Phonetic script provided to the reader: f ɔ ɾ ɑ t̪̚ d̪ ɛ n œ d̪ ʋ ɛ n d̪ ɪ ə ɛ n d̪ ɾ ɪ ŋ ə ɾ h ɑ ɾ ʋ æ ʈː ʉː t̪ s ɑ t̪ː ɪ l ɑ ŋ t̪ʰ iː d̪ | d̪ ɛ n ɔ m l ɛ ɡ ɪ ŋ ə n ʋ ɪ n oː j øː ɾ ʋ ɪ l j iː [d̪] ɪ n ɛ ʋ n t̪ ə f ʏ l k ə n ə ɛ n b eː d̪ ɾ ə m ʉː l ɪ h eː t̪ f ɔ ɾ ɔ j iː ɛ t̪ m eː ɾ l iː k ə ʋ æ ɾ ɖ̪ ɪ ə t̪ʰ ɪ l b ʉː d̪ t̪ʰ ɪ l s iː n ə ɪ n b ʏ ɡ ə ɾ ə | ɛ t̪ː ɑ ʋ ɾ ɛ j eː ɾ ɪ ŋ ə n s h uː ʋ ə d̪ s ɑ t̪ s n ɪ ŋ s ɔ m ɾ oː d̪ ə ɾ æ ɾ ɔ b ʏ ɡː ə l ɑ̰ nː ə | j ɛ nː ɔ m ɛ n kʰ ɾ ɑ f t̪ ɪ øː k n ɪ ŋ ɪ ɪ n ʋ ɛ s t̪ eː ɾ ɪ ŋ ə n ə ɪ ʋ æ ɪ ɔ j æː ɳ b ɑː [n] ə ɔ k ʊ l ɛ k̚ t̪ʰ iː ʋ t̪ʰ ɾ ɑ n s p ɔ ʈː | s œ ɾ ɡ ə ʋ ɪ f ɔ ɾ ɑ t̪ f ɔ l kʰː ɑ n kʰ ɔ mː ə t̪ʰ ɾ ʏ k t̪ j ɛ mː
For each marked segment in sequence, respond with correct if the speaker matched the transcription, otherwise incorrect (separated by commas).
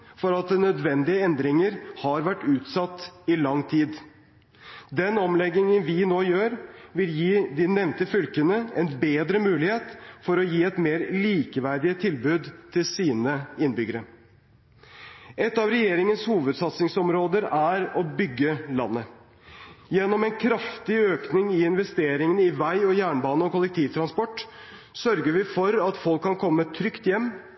correct, correct